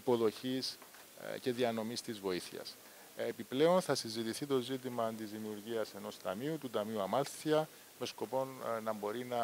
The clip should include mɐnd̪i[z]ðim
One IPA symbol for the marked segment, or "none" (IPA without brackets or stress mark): z